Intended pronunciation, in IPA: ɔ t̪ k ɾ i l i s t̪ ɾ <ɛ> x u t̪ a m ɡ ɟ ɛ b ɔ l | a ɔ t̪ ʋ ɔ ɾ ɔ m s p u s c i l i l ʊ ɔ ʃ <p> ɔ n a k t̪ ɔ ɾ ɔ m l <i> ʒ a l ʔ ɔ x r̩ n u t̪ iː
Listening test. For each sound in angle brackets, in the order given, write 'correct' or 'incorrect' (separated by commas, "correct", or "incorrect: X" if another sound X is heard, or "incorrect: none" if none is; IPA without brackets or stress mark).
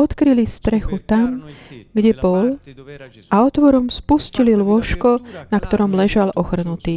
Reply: correct, incorrect: k, incorrect: ɛ